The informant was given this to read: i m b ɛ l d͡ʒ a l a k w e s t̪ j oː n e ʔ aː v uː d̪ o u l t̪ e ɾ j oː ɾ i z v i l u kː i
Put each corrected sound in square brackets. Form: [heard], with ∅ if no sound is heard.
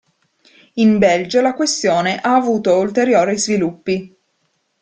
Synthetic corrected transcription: i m b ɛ l d͡ʒ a l a k w e s t̪ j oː n e ʔ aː v uː [t̪] o u l t̪ e ɾ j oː ɾ i z v i l u [pː] i